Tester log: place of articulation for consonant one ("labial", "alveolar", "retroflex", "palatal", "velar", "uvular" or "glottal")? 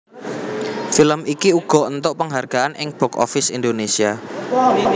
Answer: labial